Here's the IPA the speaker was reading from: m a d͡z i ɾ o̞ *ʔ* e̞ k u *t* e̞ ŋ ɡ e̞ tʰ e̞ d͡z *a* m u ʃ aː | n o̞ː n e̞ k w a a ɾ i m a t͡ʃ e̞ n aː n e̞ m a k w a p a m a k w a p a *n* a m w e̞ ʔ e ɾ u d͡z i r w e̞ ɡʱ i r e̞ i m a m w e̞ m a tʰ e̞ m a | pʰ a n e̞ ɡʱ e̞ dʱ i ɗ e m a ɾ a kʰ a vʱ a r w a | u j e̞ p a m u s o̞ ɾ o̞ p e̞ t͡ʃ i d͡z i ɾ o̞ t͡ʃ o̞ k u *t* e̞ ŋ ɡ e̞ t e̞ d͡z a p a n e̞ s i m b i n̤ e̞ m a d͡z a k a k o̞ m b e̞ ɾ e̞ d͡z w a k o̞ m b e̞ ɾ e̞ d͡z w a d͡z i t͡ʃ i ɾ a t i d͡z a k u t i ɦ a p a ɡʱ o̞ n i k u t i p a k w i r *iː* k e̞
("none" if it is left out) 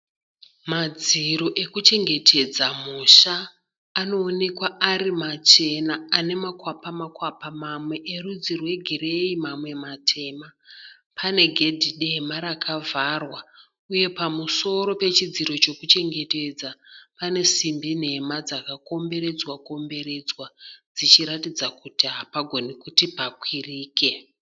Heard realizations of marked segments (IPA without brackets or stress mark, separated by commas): ʔ, t͡ʃ, a, m, t͡ʃ, iː